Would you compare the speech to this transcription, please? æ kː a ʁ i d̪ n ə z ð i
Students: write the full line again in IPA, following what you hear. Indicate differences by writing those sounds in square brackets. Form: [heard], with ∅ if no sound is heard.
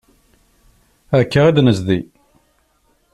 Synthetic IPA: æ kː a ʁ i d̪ n ə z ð i

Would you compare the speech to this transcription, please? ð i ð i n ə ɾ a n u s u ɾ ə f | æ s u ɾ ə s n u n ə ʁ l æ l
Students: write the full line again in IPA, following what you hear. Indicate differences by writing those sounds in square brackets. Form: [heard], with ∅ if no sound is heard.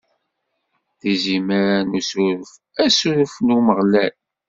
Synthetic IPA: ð i [z] i [m] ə ɾ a n u s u ɾ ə f | æ s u ɾ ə [f] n u [m] ə ʁ l æ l

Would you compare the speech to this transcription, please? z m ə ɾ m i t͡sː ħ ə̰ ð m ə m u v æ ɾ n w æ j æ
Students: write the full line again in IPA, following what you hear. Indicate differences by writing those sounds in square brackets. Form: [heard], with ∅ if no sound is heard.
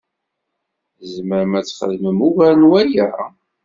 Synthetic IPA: z m ə ɾ m [æ] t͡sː [χ] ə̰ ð m ə m u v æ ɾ n w æ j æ

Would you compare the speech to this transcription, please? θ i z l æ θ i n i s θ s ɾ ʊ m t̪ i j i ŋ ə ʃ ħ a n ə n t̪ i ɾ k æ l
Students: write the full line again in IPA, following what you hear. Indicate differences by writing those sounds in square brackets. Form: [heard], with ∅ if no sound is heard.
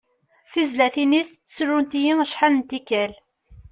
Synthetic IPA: θ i z l æ θ i n i s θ s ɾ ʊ [n] t̪ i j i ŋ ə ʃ ħ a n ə n t̪ i [∅] k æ l

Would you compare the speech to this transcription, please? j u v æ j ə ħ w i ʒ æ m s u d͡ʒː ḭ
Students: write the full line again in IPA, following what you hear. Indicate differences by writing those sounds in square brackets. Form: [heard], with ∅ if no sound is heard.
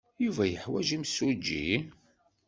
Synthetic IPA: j u v æ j ə ħ w [æ] ʒ [i] m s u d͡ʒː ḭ

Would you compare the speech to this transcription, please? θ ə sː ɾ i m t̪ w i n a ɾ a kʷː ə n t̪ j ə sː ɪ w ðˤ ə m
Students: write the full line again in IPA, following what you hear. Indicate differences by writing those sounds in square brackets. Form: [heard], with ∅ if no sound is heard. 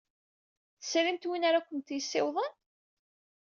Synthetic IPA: θ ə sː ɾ i m t̪ w i n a ɾ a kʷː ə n t̪ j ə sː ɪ w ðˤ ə [n]

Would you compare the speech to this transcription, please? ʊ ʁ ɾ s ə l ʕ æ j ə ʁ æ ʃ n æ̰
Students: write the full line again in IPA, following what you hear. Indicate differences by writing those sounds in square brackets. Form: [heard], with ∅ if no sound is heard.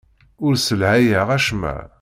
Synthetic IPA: ʊ [∅] ɾ s ə l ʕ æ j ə ʁ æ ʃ [m] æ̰

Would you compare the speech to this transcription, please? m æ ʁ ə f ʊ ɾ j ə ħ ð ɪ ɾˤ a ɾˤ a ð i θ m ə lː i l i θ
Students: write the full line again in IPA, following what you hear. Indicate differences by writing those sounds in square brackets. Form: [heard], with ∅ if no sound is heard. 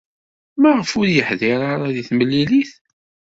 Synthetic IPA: m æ ʁ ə f ʊ ɾ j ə ħ ð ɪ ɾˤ a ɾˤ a ð i θ m ə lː i l i θ

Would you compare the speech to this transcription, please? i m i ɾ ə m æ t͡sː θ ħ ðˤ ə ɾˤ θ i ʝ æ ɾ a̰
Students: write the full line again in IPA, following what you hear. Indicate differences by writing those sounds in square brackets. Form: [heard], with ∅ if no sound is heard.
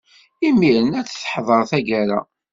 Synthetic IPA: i m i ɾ ə [n] æ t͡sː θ ħ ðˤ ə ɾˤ θ [æ] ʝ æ ɾ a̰

